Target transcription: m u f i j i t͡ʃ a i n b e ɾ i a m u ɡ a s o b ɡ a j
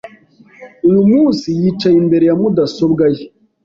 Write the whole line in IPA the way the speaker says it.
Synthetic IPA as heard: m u s i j i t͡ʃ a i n b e ɾ j a m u d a s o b ɡ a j